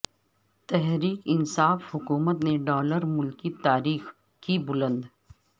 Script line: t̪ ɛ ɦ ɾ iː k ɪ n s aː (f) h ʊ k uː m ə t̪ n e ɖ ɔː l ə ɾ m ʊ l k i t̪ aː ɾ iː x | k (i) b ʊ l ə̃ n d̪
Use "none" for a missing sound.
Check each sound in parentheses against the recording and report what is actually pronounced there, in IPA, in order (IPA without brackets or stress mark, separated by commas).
f, i